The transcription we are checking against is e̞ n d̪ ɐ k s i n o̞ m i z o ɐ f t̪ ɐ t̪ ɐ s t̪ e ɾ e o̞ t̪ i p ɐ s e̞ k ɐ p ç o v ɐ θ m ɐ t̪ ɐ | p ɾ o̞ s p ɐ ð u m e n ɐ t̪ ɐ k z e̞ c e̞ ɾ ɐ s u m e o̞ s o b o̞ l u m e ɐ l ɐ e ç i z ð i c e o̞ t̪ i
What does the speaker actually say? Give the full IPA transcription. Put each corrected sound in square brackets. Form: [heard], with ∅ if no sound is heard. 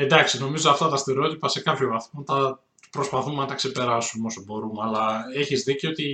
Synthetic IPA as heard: e̞ n d̪ ɐ k s i n o̞ m i z o ɐ f t̪ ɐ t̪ ɐ s t̪ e ɾ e o̞ t̪ i p ɐ s e̞ k ɐ p ç o v ɐ θ m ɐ t̪ ɐ | p ɾ o̞ s p ɐ [θ] u m e n ɐ t̪ ɐ k [s] e̞ [p] e̞ ɾ ɐ s u m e o̞ s o b o̞ [ɾ] u m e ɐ l ɐ e ç i z ð i c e o̞ t̪ i